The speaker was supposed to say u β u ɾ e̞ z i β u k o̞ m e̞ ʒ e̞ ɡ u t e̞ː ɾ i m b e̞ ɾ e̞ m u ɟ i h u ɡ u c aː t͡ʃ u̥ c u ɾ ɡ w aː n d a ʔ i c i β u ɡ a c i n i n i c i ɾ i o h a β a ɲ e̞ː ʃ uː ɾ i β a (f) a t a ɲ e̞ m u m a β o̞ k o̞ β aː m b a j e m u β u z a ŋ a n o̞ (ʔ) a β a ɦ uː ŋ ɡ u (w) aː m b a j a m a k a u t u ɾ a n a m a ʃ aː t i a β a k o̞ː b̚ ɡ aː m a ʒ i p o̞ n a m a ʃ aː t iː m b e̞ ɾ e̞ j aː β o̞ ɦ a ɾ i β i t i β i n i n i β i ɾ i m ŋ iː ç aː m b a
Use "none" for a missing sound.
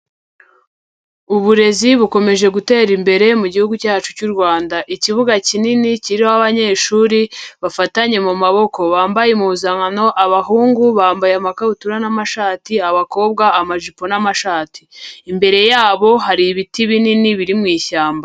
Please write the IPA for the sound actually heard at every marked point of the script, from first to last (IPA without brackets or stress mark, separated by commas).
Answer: f, ʔ, β